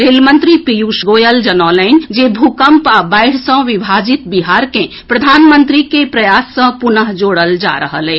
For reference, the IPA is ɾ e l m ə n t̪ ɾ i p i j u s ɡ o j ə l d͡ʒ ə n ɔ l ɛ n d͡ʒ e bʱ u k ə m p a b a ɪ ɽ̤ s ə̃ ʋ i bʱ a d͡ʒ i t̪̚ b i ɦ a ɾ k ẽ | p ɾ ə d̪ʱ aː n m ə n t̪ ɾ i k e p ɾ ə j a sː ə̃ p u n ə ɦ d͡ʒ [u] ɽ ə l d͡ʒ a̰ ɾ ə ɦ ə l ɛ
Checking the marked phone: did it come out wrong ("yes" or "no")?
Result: yes